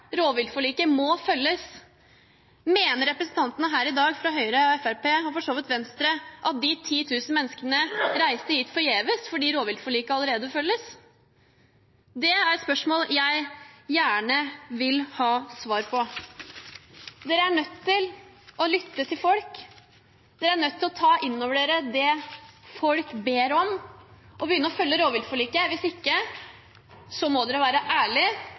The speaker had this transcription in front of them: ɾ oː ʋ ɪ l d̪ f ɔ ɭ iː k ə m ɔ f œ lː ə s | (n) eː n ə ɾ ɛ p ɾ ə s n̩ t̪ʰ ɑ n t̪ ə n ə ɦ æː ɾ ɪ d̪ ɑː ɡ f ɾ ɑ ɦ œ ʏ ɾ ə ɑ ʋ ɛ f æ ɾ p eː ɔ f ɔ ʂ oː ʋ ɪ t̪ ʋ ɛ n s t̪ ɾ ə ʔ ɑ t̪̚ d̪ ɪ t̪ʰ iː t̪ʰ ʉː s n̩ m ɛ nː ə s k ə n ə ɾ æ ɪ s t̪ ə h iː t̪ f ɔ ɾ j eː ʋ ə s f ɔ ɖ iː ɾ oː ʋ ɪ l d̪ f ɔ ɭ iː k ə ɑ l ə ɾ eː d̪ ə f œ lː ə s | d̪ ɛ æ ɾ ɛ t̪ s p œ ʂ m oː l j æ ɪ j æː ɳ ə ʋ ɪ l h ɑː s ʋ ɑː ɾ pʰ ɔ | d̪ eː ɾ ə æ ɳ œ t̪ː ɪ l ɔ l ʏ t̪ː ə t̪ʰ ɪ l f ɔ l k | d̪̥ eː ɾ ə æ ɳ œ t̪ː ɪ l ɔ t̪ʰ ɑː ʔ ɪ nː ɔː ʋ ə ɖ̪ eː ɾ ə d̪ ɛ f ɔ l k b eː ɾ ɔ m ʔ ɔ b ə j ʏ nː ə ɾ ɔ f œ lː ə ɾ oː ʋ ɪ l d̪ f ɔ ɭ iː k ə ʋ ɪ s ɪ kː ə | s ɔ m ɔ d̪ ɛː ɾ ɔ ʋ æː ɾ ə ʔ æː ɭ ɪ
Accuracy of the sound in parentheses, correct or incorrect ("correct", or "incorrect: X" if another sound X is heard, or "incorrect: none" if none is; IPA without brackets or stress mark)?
incorrect: m